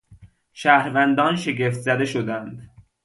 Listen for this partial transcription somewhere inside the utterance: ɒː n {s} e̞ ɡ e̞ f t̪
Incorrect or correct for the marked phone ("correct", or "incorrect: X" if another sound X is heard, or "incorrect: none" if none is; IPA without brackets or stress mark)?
incorrect: ʃ